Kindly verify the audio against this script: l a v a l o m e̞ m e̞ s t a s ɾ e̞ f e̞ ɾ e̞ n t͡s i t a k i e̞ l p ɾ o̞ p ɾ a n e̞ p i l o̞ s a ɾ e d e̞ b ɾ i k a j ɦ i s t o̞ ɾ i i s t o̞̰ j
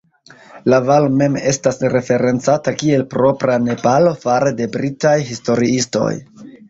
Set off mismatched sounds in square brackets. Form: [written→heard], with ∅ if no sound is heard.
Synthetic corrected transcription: l a v a l o m e̞ m e̞ s t a s ɾ e̞ f e̞ ɾ e̞ n t͡s [i→a] t a k i e̞ l p ɾ o̞ p ɾ a n e̞ p [i→a] l o̞ [s→f] a ɾ e d e̞ b ɾ i [k→t] a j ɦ i s t o̞ ɾ i i s t o̞̰ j